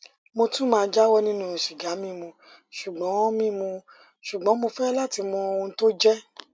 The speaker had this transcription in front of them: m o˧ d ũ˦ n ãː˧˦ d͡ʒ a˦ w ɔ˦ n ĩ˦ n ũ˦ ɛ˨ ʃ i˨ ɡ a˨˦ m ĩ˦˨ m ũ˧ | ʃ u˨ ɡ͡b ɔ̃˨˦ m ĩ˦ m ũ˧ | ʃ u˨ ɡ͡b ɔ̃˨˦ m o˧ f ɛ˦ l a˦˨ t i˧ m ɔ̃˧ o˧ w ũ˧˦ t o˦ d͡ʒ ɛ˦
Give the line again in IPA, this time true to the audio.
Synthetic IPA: m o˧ t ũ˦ m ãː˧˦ d͡ʒ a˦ w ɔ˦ n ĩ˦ n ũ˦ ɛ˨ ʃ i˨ ɡ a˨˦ m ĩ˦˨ m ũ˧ | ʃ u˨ ɡ͡b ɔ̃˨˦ m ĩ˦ m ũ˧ | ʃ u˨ ɡ͡b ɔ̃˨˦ m o˧ f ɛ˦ l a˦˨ t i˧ m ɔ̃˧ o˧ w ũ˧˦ t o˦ d͡ʒ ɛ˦